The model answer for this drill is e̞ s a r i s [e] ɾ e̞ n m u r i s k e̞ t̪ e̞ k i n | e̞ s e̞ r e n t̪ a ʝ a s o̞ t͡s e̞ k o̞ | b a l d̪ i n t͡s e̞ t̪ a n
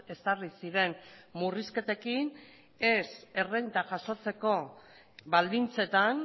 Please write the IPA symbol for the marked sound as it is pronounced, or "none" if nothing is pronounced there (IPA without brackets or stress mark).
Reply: i